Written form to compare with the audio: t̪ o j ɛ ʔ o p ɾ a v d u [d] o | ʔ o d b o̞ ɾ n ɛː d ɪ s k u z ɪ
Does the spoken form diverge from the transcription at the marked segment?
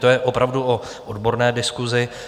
yes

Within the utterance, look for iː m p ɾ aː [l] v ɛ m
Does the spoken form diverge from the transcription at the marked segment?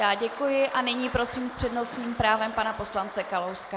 yes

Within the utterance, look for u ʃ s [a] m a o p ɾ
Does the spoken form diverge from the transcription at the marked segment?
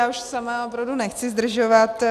no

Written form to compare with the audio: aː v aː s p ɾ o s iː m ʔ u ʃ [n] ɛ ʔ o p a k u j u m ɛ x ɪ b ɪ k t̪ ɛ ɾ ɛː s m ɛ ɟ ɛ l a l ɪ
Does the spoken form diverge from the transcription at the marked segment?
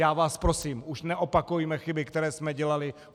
no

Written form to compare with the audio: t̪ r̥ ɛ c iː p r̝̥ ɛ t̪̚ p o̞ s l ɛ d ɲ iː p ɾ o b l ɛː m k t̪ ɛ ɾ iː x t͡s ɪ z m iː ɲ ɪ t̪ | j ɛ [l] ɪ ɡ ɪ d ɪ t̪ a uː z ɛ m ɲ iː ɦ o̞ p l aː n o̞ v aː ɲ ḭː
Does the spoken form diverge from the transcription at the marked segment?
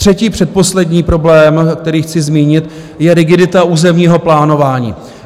yes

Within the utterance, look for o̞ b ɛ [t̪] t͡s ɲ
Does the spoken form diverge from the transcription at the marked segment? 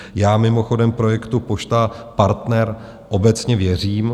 yes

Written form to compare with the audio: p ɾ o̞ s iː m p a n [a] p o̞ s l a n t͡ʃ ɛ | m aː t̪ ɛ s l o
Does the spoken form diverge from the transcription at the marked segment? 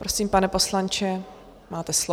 yes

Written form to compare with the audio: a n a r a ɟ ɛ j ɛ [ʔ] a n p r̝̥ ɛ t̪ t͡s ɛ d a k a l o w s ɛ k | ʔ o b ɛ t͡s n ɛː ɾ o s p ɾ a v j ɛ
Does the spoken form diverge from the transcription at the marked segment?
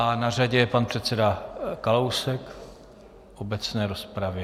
yes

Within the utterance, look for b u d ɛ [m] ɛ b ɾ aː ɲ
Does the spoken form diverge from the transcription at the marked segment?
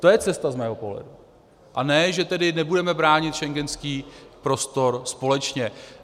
no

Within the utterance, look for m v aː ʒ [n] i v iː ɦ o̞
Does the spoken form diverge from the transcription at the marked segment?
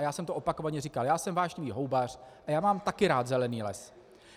yes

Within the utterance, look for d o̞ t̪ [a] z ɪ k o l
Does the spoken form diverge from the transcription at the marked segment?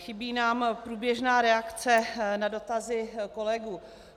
no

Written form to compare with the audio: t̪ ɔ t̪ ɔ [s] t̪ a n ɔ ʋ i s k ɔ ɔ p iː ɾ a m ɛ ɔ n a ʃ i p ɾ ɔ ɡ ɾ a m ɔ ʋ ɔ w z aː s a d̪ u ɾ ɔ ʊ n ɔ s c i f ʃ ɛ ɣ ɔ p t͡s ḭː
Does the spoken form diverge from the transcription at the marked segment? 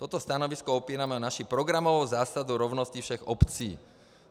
no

